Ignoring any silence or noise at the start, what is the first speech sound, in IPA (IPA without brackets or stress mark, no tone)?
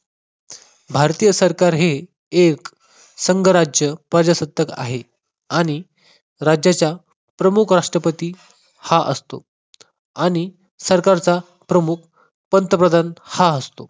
bʱ